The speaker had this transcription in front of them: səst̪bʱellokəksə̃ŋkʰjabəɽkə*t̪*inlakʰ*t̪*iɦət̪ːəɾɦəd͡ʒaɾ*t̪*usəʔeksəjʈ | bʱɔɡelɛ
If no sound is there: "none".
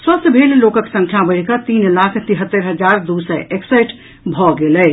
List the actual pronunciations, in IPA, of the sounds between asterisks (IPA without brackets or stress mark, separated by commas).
t̪, t̪, d̪